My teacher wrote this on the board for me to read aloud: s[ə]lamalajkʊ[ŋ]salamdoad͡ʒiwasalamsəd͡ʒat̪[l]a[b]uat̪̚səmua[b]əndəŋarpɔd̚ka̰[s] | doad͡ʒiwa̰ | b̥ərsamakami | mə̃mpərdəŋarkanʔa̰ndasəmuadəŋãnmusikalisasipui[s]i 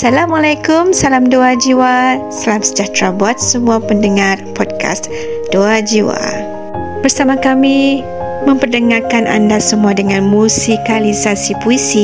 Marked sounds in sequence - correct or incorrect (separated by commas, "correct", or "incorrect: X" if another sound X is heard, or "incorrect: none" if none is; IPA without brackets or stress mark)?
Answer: incorrect: a, incorrect: m, incorrect: ɾ, correct, incorrect: p, correct, correct